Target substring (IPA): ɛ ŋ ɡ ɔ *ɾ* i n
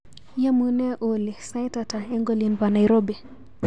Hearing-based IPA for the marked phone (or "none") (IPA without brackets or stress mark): l